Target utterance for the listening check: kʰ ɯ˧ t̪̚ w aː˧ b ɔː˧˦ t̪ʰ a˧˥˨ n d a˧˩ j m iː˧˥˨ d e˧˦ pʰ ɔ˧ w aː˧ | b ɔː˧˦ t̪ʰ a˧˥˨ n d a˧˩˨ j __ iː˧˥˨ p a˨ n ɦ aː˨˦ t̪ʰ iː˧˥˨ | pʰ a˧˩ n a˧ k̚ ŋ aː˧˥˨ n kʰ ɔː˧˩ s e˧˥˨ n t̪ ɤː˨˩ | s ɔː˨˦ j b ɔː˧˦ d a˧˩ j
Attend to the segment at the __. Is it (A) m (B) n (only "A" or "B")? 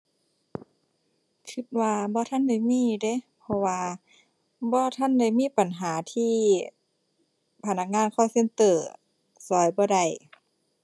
A